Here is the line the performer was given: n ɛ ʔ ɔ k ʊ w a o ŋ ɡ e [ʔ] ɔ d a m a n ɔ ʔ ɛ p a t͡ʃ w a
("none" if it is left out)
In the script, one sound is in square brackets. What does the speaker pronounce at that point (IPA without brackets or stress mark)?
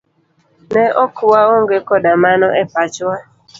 k